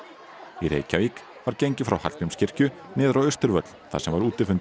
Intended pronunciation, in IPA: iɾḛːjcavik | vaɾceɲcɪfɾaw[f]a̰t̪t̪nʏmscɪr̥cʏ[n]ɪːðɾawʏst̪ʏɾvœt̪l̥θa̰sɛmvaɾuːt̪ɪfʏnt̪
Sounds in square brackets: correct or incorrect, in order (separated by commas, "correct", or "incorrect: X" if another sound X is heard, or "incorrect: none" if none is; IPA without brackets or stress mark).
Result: incorrect: h, correct